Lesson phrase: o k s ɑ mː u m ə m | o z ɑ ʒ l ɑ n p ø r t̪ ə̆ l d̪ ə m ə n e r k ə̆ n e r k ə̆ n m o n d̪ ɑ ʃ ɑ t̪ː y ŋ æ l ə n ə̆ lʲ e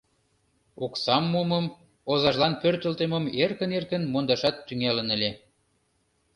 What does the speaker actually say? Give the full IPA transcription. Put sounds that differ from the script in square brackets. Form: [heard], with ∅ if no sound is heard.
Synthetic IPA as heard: o k s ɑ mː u m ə m | o z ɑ ʒ l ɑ n p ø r t̪ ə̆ l [t̪] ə m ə [m] e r k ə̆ n e r k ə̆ n m o n d̪ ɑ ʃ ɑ t̪ː y ŋ æ l ə n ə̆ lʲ e

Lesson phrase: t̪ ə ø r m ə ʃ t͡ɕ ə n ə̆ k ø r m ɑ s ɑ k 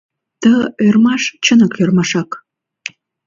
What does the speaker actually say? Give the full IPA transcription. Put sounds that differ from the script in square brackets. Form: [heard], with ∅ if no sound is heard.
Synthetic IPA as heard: t̪ ə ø r m [ɑ] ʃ t͡ɕ ə n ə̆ k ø r m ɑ [ʃ] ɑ k

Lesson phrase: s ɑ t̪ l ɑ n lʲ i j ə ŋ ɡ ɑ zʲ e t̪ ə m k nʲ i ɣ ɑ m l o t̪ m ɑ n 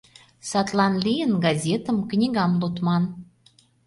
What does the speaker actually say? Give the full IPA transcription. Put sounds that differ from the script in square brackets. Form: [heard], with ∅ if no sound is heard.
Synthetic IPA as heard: s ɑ t̪ l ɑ n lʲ i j ə [n] ɡ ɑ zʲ e t̪ ə m k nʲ i ɣ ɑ m l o t̪ m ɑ n

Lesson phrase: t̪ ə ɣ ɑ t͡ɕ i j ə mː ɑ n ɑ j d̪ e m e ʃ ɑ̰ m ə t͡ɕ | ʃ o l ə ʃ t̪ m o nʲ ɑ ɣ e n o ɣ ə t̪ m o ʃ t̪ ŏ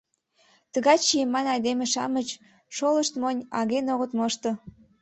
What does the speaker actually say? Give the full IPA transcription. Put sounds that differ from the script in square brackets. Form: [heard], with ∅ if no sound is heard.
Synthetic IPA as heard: t̪ ə ɣ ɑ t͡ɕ i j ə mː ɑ n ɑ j d̪ e m e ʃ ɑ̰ m ə t͡ɕ | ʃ o l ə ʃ t̪ m o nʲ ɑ ɣ e n o ɣ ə t̪ m o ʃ t̪ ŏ

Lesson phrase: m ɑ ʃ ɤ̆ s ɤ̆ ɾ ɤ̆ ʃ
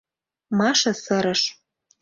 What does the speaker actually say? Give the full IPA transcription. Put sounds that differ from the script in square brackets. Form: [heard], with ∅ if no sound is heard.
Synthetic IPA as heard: m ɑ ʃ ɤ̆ s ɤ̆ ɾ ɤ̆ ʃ

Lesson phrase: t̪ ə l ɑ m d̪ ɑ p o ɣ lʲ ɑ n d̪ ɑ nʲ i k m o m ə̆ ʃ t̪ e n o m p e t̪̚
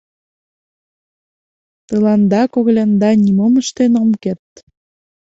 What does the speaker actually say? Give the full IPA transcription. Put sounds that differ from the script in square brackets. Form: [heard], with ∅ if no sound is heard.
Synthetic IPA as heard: t̪ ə l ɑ [n] d̪ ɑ [k] o ɣ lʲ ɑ n d̪ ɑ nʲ i [∅] m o m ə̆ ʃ t̪ e n o m [k] e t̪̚

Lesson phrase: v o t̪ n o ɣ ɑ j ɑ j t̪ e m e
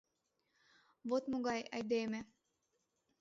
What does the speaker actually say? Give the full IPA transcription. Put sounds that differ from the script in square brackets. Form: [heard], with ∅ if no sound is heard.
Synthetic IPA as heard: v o t̪ [m] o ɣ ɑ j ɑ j [d̪] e m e

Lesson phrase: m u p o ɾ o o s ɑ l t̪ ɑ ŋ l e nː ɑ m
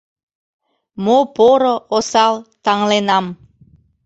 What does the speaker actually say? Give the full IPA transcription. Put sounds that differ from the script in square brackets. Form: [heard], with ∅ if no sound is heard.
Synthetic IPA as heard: m [o] p o ɾ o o s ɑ l t̪ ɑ ŋ l e [n] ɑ m

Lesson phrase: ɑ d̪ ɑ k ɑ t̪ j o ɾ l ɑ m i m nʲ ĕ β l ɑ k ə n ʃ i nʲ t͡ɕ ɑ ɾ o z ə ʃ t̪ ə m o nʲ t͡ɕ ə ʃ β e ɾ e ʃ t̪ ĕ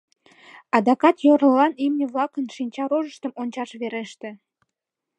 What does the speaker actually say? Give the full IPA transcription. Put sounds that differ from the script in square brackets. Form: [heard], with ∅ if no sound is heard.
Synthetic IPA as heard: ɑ d̪ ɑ k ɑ t̪ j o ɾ l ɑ [n] i m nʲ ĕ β l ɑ k ə n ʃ i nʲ t͡ɕ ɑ ɾ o [ʒ] ə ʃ t̪ ə m o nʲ t͡ɕ [ɑ] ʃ β e ɾ e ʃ t̪ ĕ

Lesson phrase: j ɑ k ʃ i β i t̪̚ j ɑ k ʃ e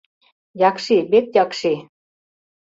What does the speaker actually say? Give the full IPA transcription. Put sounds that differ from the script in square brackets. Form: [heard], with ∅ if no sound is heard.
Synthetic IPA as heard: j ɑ k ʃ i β [e] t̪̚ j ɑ k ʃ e

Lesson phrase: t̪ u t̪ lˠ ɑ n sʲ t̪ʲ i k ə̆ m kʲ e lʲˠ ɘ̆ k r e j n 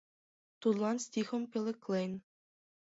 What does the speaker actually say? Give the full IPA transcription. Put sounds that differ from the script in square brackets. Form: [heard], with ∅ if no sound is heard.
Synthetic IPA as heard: t̪ u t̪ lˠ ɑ n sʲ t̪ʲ i [x] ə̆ m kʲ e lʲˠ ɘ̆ k [l] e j n

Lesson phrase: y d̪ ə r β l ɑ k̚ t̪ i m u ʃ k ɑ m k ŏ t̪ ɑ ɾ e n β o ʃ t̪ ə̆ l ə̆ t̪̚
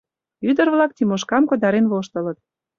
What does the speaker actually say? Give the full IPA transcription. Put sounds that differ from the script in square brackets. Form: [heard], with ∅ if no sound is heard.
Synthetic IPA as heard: y d̪ ə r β l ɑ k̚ t̪ i m [o] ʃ k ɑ m k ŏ [d̪] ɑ ɾ e n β o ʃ t̪ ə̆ l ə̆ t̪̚

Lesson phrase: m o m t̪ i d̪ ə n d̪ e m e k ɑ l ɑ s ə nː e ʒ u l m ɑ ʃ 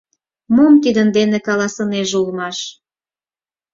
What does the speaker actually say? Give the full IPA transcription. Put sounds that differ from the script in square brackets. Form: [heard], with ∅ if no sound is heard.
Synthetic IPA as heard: m o m t̪ i d̪ ə n d̪ e [n] e k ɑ l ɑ s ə [n] e ʒ u l m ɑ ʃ

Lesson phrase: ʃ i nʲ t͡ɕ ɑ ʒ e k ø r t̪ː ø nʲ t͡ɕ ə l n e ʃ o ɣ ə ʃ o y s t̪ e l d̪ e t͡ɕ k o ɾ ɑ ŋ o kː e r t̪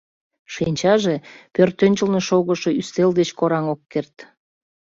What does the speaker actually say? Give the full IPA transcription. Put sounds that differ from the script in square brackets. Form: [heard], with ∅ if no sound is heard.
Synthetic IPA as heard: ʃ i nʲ t͡ɕ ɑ ʒ e [p] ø r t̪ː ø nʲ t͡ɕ ə l n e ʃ o ɣ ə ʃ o y s t̪ e l d̪ e t͡ɕ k o ɾ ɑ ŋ o kː e r t̪

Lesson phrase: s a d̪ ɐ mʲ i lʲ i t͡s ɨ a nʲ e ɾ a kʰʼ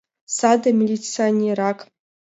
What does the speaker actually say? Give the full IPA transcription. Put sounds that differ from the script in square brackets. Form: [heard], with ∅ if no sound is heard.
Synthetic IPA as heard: s a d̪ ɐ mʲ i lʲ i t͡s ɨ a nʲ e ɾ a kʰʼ

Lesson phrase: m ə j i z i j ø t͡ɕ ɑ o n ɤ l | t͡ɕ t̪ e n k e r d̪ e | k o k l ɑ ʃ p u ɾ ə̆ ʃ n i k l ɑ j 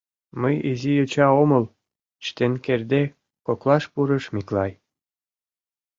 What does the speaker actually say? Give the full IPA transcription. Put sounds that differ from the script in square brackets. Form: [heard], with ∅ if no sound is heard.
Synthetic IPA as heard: m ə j i z i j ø t͡ɕ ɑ o [m] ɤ l | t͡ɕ t̪ e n k e r d̪ e | k o k l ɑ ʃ p u ɾ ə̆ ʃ [m] i k l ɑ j

